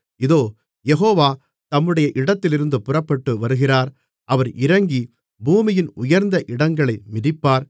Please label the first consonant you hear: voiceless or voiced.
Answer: voiced